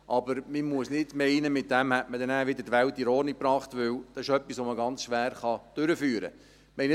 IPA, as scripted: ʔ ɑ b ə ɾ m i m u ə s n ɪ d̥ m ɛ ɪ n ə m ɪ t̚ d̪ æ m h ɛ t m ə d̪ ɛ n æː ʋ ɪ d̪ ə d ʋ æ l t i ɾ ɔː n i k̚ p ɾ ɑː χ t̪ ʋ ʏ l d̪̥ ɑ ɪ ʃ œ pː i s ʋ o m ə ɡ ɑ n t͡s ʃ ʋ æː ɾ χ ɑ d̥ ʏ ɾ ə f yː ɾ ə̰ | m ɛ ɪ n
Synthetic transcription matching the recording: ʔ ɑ b ə ɾ m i m u ə s n ɪ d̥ m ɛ ɪ n ə m ɪ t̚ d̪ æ m h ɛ t m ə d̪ ɛ n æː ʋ ɪ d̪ ə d ʋ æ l t i ɾ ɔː n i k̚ p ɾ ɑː χ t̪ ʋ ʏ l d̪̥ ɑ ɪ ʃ œ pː i s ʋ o m ə ɡ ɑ n t͡s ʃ ʋ æː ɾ χ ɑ d̥ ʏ ɾ ə f yː ɾ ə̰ | m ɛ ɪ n